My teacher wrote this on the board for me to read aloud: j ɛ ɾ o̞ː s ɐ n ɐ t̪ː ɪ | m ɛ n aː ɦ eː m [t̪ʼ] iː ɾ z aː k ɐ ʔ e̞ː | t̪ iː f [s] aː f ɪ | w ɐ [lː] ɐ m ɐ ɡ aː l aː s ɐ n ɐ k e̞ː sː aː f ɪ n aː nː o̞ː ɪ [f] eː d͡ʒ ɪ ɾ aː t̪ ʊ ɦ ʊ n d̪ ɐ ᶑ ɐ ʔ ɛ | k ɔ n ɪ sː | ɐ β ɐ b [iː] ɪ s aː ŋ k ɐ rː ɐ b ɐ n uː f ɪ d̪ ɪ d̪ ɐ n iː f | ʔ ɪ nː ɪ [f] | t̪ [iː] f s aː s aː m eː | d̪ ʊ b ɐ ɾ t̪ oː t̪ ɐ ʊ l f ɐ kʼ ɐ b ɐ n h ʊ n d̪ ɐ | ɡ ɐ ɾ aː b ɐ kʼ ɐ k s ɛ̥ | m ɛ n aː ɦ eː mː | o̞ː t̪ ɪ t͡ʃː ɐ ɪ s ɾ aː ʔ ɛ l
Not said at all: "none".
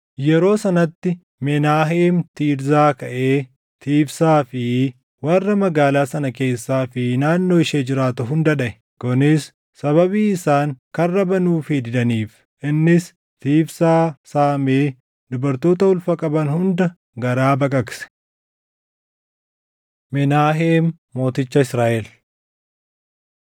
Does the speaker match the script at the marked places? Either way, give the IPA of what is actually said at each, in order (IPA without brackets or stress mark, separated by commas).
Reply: t̪, s, rː, ʃ, iː, s, iː